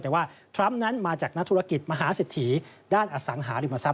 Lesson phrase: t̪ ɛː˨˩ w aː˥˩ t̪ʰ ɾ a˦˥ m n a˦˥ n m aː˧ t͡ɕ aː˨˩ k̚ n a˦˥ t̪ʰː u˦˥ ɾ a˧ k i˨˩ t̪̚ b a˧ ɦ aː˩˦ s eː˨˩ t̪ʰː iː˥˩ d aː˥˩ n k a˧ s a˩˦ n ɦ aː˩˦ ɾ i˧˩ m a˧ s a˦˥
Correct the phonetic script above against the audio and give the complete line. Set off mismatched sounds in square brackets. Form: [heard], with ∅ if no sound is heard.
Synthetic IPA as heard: t̪ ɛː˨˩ w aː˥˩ t̪ʰ ɾ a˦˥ m n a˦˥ n m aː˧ t͡ɕ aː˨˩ k̚ n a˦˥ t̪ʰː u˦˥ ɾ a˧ k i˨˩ t̪̚ [m] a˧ ɦ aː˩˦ s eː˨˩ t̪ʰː [iː˩˦] d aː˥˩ n [ʔ] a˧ s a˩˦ [ŋ] ɦ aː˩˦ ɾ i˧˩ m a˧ s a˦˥